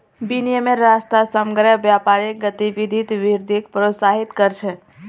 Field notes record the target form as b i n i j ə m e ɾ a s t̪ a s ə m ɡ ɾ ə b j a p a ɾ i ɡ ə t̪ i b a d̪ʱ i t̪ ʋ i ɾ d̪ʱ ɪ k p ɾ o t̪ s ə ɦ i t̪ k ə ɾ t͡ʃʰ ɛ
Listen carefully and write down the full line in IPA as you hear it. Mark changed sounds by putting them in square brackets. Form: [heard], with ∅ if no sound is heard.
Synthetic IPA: b i n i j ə m e ɾ a s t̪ a s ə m ɡ ɾ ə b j a p a ɾ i ɡ ə t̪ i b [i] d̪ʱ i t̪ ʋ i ɾ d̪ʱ [i] k p ɾ o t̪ s [a] ɦ i t̪ k ə ɾ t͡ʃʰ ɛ